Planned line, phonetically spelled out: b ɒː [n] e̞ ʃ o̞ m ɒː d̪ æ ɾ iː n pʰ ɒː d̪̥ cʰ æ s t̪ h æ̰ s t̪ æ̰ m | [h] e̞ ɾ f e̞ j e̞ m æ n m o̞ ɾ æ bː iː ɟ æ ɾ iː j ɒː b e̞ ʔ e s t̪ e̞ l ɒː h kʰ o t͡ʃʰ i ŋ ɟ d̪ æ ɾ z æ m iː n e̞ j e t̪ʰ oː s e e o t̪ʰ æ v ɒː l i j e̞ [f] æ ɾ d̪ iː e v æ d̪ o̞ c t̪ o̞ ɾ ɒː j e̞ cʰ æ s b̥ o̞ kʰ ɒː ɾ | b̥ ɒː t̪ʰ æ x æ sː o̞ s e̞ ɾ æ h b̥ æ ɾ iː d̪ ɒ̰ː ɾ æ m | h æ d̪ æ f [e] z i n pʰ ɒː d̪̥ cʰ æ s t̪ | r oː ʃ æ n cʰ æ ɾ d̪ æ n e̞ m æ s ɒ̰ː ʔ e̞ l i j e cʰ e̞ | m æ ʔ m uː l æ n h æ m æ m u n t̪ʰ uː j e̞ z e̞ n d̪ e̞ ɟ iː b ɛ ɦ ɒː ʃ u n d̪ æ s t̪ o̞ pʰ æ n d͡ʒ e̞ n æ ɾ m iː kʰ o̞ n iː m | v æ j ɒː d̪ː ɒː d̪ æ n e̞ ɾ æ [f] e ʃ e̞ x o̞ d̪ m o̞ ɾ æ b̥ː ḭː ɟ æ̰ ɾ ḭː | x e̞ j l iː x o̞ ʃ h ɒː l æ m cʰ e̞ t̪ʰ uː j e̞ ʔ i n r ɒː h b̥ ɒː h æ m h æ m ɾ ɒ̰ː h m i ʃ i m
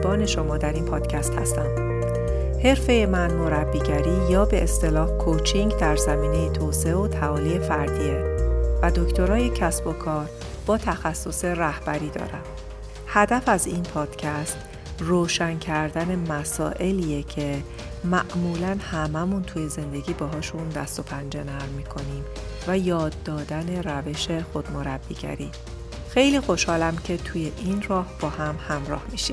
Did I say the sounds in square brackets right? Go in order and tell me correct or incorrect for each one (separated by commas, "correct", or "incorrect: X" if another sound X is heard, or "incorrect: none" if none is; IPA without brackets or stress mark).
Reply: correct, correct, correct, incorrect: æ, incorrect: v